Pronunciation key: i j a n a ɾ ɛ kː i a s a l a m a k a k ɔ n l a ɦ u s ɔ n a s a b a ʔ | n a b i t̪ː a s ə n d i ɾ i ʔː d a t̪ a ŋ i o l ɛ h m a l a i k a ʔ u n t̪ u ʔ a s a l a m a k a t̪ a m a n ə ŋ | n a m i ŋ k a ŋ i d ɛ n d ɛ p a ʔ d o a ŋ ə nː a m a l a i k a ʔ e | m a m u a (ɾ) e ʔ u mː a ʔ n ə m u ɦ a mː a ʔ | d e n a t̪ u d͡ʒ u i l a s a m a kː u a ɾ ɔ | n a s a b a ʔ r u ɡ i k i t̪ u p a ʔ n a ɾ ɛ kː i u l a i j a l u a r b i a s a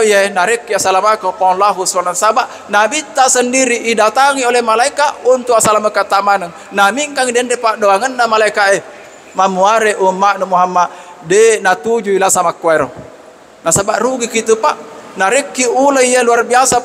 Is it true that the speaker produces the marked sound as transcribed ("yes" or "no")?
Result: yes